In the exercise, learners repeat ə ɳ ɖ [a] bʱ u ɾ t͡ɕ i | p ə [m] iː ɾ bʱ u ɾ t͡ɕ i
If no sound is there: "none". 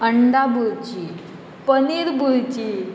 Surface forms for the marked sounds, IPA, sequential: a, n

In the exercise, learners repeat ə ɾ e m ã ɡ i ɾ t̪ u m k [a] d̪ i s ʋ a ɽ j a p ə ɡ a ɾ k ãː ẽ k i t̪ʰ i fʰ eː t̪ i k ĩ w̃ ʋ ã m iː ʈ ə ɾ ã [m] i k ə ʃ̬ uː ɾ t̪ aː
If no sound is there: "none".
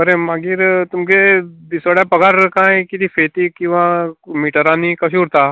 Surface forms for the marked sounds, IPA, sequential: e, n

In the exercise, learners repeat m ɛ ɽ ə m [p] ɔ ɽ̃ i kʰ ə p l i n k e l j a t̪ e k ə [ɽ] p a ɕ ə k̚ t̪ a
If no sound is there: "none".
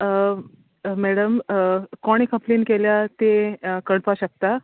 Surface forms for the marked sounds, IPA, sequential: k, ɽ

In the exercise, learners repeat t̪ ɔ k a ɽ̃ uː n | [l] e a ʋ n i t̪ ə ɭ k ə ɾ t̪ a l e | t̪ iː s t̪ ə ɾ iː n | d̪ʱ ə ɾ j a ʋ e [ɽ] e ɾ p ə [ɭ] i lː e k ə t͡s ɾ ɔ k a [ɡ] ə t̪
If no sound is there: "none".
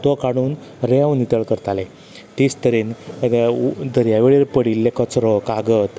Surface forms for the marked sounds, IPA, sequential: ɾ, ɭ, ɽ, ɡ

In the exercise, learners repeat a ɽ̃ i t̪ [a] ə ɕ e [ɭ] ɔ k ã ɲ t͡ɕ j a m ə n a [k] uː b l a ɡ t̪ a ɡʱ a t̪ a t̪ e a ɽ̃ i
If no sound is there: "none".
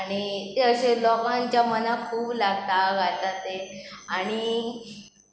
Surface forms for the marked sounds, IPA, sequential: e, l, kʰ

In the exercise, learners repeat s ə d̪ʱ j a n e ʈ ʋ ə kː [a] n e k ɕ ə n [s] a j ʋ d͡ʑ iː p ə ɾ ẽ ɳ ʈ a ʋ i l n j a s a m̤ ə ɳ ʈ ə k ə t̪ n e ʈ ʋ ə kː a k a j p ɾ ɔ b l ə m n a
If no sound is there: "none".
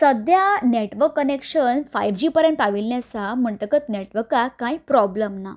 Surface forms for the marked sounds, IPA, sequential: ə, f

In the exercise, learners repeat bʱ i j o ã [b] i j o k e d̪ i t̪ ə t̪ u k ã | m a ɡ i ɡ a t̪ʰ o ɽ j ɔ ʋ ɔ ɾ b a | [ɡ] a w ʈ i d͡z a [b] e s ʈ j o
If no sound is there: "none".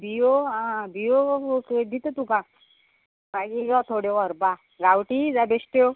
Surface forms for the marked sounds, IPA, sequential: b, ɡ, b

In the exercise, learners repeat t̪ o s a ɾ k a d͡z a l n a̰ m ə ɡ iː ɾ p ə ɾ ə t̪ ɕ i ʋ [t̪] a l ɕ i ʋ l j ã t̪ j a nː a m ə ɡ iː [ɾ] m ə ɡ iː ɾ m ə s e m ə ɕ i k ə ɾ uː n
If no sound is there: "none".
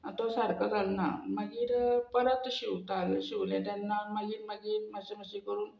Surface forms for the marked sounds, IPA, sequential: t̪, ɾ

